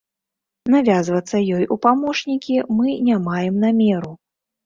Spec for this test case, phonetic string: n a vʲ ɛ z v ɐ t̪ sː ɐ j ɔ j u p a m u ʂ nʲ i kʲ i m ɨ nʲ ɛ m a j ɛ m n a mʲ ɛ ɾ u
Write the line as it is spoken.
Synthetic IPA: n a vʲ a z v ɐ t̪ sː ɐ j ɔ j u p a m ɔ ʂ nʲ i kʲ i m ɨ nʲ a m a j ɛ m n a mʲ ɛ ɾ u